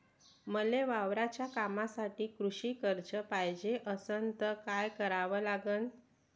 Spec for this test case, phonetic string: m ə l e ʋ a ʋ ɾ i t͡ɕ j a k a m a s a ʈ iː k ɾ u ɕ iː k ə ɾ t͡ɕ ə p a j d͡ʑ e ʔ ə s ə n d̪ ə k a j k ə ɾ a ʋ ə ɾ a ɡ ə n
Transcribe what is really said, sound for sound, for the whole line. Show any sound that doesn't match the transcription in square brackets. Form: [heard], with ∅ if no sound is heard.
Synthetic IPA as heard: m ə l e ʋ a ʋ ɾ [a] t͡ɕ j a k a m a s a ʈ iː k ɾ u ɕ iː k ə ɾ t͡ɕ ə p a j d͡ʑ e ʔ ə s ə n [t̪] ə k a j k ə ɾ a ʋ ə [l] a ɡ ə n

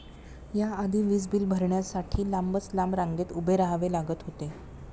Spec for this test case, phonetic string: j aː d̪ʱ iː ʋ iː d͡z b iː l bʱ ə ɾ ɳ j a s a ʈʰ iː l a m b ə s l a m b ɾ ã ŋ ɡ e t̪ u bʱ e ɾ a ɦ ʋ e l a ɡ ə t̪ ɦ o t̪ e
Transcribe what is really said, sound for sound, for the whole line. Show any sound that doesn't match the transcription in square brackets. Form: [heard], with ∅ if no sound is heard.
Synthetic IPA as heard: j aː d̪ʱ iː ʋ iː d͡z b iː l bʱ ə ɾ ɳ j a s a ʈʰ iː l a m b ə [t͡s] l a m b ɾ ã ŋ ɡ e t̪ u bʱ e ɾ a ɦ ʋ e l a ɡ ə t̪ ɦ o t̪ e

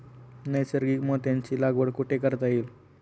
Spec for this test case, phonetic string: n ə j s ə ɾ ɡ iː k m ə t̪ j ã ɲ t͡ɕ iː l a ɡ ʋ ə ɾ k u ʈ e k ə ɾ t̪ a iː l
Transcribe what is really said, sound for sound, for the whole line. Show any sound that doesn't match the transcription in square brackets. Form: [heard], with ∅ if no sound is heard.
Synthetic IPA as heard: n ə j s ə ɾ ɡ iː k m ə t̪ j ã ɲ t͡ɕ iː l a ɡ ʋ ə [ɽ] k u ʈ e k ə ɾ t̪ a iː l

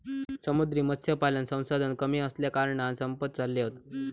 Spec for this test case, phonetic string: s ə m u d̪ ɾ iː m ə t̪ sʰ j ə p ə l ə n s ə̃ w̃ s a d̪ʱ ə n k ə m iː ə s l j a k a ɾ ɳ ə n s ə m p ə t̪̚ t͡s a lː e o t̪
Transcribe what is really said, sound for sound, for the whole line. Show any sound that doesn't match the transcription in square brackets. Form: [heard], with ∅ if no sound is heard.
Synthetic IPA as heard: s ə m u d̪ ɾ iː m ə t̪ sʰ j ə p [a] l ə n s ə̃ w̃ s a d̪ʱ ə n k ə m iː ə s l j a k a ɾ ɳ [a] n s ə m p ə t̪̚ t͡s a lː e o t̪

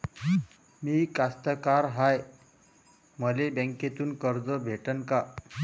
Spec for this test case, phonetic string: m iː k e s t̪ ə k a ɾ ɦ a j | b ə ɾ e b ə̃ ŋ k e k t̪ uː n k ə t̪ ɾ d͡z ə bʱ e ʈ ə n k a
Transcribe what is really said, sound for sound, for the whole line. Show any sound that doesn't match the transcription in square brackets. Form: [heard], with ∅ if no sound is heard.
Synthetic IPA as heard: m iː k [a] s t̪ ə k a ɾ ɦ a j | [m] ə [l] e b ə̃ ŋ k e [∅] t̪ uː n k ə [∅] ɾ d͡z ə bʱ e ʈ ə n k a

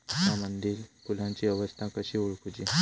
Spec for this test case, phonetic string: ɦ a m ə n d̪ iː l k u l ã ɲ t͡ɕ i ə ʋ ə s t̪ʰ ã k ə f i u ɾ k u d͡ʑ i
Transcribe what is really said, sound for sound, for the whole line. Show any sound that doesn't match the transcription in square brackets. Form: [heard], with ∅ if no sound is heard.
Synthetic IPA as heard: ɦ a m ə n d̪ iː l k u l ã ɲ t͡ɕ i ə ʋ ə s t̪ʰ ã k ə [ɕ] i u [ɭ] k u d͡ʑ i

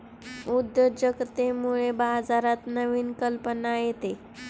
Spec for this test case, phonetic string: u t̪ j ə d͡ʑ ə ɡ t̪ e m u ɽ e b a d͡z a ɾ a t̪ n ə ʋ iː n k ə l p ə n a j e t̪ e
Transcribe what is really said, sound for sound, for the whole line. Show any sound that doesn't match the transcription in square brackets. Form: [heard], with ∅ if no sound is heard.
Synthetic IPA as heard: u [d̪] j ə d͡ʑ ə ɡ t̪ e m u [ɭ] e b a d͡z a ɾ a t̪ n ə ʋ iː n k ə l p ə n a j e t̪ e

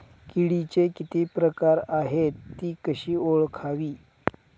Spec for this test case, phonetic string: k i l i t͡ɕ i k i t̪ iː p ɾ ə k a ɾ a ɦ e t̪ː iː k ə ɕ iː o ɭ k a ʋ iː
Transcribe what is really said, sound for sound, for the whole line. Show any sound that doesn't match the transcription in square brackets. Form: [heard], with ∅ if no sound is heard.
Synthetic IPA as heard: k i [ɽ] i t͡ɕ [e] k i t̪ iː p ɾ ə k a ɾ a ɦ e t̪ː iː k ə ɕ iː o ɭ [kʰ] a ʋ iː

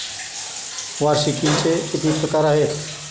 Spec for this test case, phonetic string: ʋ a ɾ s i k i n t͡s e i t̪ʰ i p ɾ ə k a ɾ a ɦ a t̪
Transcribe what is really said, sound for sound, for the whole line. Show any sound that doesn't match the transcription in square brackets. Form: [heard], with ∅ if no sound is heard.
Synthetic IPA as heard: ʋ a ɾ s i k i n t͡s e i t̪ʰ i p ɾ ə k a ɾ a ɦ [e] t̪

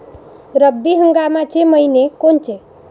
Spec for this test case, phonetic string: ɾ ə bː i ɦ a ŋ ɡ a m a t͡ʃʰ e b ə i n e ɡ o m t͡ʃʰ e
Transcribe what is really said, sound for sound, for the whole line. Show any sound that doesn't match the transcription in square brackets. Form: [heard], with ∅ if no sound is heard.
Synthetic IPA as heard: ɾ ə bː i ɦ [ə] ŋ ɡ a m a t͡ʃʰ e [m] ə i n e [k] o [n] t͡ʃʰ e

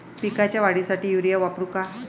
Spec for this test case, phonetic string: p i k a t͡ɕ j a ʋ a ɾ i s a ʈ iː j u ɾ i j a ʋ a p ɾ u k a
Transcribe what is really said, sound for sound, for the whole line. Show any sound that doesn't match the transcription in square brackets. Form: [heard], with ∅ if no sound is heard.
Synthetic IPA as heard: p i k a t͡ɕ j a ʋ a [ɽ] i s a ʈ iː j u ɾ i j a ʋ a p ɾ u k a

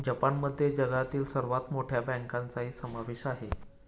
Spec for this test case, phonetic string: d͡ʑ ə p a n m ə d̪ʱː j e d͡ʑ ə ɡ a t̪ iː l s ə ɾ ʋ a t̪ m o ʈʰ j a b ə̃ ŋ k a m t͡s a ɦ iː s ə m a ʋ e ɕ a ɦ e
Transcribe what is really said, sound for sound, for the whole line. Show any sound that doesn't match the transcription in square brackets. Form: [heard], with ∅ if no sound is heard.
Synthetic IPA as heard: d͡ʑ ə p a n m ə d̪ʱː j e d͡ʑ ə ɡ a t̪ iː l s ə ɾ ʋ a t̪ m o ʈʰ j a b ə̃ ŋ k a [n] t͡s a ɦ iː s ə m a ʋ e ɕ a ɦ e

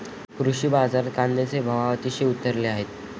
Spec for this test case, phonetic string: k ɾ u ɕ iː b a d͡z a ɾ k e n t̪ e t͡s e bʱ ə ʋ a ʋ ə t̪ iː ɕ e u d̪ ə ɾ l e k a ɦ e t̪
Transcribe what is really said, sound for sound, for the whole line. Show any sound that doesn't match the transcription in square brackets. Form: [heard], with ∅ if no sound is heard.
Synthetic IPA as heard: k ɾ u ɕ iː b a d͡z a ɾ k [a] n [d̪] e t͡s e bʱ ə ʋ a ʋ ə t̪ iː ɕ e u [t̪] ə ɾ l e [∅] a ɦ e t̪

